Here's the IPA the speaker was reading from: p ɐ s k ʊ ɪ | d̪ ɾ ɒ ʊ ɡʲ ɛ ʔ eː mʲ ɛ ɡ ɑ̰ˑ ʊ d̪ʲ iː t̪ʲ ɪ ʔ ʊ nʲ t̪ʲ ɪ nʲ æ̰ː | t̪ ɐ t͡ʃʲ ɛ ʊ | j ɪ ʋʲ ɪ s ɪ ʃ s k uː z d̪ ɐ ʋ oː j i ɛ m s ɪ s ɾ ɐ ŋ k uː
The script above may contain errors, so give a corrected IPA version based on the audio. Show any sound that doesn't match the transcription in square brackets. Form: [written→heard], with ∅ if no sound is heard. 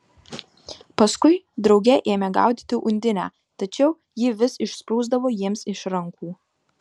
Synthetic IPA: p ɐ s k ʊ ɪ | d̪ ɾ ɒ ʊ ɡʲ ɛ ʔ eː mʲ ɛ ɡ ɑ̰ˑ ʊ d̪ʲ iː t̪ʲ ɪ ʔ ʊ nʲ [t̪ʲ→d̪ʲ] ɪ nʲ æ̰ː | t̪ ɐ t͡ʃʲ ɛ ʊ | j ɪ ʋʲ ɪ s ɪ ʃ s [k→p] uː z d̪ ɐ ʋ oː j i ɛ m s ɪ [s→ʃ] ɾ ɐ ŋ k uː